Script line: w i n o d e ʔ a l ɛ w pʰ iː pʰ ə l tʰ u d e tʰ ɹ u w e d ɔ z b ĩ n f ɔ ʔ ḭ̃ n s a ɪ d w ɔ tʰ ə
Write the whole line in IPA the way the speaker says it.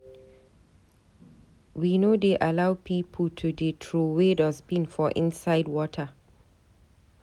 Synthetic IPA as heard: w i n o d e ʔ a l a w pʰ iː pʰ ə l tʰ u d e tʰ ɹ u w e d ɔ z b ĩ n f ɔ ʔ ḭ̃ n s a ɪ d w ɔ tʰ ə